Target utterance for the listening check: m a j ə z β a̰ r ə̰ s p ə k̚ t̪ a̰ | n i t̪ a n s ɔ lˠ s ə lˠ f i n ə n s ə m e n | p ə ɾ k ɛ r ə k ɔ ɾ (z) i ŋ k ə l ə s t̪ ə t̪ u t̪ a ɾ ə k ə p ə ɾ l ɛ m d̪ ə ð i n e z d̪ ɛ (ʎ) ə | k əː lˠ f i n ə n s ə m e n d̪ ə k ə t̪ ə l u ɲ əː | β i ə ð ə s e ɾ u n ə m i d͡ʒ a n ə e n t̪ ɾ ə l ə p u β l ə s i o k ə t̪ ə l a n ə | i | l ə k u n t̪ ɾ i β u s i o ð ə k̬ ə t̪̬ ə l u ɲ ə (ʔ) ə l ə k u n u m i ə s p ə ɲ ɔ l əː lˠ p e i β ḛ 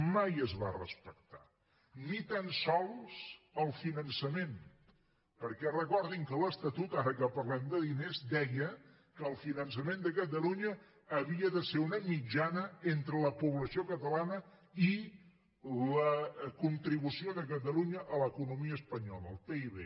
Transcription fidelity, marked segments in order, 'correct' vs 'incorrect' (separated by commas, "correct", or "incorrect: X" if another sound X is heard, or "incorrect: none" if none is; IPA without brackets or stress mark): incorrect: ð, incorrect: j, correct